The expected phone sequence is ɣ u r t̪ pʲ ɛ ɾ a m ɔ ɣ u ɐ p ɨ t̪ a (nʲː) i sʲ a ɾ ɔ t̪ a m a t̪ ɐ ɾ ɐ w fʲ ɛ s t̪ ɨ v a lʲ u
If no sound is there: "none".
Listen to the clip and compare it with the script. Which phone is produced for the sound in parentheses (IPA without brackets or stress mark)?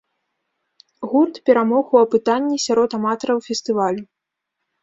nʲː